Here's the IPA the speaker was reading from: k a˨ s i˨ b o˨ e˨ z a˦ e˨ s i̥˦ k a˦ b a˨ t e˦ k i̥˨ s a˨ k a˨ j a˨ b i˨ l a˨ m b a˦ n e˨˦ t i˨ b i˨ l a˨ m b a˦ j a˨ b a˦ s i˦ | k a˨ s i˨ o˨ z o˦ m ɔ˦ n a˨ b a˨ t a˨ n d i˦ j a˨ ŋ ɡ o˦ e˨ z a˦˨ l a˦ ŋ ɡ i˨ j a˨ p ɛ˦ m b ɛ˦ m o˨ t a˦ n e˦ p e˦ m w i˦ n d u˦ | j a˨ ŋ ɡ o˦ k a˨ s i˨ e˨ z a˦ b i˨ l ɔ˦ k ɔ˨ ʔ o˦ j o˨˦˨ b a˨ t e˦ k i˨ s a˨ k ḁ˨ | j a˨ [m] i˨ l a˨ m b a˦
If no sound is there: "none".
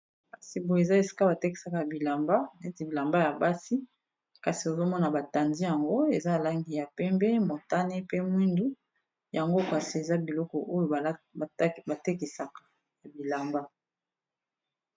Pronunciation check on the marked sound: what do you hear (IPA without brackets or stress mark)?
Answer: b